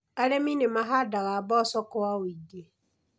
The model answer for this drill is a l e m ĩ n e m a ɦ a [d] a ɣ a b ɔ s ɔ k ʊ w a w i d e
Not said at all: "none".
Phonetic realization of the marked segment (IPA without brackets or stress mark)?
d